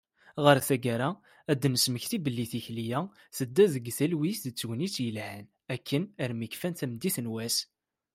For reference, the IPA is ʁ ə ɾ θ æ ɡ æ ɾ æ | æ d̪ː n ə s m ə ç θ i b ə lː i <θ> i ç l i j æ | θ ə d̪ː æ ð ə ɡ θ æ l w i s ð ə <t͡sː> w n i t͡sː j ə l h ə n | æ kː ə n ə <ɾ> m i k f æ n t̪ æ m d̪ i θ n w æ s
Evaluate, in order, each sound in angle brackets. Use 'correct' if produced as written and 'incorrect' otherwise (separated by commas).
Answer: correct, correct, correct